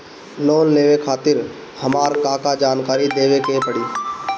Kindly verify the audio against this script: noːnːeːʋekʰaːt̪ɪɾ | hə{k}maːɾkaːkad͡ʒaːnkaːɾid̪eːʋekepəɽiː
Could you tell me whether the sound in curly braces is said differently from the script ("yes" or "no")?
yes